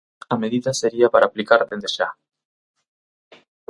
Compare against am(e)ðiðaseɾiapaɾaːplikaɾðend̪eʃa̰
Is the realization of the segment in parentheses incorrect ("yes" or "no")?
no